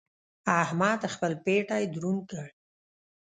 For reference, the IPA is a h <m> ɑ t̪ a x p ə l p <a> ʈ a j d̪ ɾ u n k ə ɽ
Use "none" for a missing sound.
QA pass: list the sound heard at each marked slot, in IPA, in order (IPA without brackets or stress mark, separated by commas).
m, e